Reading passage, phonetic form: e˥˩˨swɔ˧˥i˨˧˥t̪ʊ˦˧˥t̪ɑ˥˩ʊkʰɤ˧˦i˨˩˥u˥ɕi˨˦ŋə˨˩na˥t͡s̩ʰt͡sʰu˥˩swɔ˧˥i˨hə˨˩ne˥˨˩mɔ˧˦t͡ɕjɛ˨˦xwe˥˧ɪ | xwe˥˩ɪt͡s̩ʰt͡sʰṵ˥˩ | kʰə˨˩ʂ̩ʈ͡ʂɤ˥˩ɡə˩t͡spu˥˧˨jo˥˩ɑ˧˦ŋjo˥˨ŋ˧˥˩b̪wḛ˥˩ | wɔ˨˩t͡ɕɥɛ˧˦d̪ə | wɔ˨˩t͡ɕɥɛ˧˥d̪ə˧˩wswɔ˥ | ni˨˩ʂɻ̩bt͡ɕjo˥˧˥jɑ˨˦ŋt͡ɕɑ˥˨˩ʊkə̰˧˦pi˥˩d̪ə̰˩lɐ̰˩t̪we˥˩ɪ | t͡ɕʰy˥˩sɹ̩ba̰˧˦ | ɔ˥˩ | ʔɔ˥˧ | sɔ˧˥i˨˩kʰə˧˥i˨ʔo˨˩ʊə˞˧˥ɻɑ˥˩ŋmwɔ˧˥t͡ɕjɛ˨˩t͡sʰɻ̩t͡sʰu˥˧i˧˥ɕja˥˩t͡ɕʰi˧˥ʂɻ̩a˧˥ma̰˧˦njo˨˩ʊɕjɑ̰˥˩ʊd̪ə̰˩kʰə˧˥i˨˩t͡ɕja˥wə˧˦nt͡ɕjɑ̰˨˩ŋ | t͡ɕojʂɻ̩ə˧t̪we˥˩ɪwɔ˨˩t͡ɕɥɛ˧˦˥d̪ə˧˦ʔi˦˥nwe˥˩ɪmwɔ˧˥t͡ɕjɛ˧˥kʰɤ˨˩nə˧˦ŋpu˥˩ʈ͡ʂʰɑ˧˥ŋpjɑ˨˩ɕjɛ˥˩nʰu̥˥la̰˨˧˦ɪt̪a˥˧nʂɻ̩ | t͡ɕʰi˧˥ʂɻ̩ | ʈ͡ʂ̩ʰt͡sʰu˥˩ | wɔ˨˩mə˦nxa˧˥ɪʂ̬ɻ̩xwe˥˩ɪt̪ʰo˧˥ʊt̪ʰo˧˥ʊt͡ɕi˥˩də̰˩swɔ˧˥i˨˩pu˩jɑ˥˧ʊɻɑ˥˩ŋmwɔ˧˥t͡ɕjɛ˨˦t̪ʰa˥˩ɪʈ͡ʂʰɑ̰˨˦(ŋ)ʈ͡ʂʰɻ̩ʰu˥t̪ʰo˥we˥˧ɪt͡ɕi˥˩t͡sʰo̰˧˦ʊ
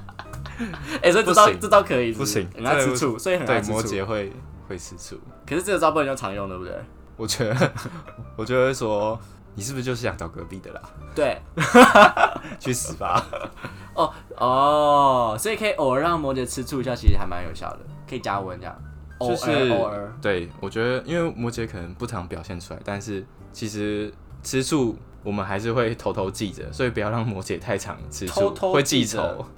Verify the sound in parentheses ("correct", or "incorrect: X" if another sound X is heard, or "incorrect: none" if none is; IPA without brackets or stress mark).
correct